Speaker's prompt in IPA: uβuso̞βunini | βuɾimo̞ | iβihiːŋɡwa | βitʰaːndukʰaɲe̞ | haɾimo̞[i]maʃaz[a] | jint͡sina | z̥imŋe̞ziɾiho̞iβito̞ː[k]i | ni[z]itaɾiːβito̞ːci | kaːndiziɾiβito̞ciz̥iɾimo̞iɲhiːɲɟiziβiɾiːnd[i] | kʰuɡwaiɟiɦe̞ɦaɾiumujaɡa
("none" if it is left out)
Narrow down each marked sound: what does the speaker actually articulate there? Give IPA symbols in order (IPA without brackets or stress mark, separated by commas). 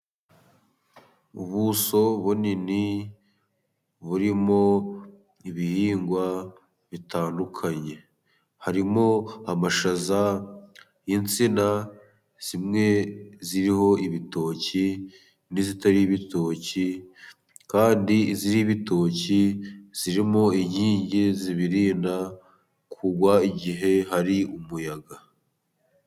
a, a, c, z, a